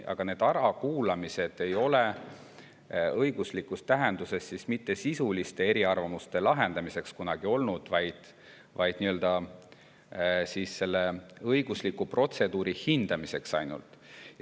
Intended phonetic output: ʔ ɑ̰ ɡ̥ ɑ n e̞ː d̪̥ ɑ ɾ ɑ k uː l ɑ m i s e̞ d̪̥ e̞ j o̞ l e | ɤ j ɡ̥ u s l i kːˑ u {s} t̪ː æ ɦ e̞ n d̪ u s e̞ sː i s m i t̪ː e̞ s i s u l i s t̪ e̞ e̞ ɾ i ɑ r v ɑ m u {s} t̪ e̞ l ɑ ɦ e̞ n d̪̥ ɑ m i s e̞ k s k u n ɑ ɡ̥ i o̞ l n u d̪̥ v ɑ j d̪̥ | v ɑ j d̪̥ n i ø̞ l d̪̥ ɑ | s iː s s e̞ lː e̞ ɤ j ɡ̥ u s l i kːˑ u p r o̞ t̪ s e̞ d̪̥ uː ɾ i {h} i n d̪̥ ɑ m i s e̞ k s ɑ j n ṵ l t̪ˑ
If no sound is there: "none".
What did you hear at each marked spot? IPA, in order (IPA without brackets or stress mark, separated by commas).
s, s, h